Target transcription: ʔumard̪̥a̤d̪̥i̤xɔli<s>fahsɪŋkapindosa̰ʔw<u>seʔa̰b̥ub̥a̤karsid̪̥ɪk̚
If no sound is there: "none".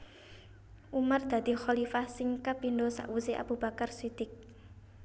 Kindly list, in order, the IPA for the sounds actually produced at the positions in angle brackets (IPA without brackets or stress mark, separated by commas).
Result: none, u